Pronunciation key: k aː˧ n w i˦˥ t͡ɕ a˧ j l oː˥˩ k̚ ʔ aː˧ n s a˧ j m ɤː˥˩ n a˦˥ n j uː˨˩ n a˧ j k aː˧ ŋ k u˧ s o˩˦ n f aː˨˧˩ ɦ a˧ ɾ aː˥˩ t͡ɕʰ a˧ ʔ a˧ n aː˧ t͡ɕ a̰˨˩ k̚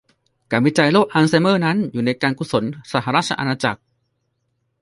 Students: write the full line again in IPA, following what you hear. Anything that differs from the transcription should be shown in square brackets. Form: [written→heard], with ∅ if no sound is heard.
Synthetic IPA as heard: k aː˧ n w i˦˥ t͡ɕ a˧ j l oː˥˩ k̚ ʔ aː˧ n s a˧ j m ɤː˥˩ n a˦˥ n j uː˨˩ n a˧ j k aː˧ [ŋ→n] k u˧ s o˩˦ n [f→s] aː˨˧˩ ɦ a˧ ɾ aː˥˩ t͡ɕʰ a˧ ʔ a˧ n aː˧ t͡ɕ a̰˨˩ k̚